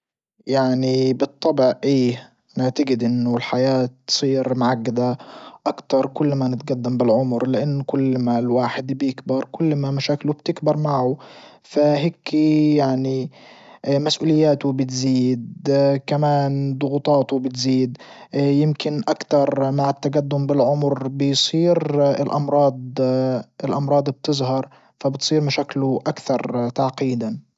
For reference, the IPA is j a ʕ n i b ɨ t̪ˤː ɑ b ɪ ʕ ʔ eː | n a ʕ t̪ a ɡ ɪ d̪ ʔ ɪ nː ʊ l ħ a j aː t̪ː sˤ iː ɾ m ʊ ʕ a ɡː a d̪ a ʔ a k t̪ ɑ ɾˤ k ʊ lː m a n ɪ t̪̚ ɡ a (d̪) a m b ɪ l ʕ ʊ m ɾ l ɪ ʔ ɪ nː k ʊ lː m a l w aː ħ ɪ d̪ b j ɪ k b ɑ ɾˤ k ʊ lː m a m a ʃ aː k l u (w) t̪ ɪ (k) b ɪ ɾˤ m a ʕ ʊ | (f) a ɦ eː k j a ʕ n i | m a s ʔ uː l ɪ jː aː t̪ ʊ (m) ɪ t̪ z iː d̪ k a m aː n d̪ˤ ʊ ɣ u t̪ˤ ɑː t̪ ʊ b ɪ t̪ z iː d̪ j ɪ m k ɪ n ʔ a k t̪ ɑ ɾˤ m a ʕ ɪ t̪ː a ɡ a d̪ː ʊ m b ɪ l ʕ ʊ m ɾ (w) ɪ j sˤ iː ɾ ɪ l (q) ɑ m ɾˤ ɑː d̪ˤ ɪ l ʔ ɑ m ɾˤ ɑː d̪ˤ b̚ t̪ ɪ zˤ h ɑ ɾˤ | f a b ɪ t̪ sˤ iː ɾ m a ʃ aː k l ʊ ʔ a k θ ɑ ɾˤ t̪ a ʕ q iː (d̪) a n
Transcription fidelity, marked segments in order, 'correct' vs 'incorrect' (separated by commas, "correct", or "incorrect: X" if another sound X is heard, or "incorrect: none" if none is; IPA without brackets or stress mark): incorrect: d̪ː, incorrect: b, correct, correct, incorrect: b, incorrect: b, incorrect: ʔ, correct